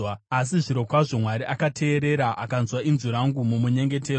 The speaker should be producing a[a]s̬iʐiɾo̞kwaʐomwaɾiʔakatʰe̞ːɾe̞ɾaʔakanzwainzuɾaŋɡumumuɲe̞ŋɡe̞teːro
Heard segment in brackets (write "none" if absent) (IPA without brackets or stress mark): a